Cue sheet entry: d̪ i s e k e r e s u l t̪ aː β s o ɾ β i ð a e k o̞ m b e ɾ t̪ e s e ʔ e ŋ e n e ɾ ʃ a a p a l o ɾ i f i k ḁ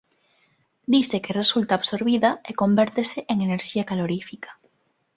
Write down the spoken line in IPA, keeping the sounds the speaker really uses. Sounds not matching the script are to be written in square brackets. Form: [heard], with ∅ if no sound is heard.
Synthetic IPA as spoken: d̪ i s e k e r e s u l t̪ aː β s o ɾ β i ð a e k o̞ m b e ɾ t̪ e s e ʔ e ŋ e n e ɾ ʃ [i] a [k] a l o ɾ i f i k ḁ